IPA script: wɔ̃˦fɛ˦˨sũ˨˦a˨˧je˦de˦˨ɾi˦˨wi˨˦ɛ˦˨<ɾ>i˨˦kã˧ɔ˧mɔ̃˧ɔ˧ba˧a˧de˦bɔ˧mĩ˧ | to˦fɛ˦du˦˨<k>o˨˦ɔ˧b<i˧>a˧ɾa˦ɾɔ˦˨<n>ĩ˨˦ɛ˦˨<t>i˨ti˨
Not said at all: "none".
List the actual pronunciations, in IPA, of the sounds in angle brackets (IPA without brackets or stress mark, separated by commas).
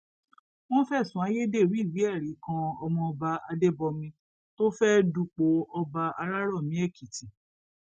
ɾ, k͡p, a˧, m, k